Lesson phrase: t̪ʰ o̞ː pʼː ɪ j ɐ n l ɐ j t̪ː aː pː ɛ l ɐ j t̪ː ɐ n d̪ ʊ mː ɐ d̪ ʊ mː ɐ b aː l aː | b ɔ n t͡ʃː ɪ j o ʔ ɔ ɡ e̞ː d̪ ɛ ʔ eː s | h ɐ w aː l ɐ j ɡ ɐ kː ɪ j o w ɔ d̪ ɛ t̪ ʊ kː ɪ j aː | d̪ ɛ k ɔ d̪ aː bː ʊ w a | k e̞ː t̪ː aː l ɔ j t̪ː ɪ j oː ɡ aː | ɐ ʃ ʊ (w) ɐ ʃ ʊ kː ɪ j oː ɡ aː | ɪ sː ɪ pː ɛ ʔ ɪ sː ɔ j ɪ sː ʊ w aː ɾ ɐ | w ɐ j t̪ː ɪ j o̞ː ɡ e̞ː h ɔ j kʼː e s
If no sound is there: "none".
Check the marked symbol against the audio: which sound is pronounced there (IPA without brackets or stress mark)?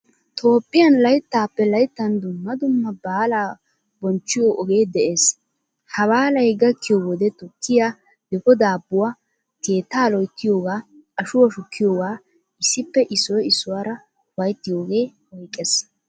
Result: w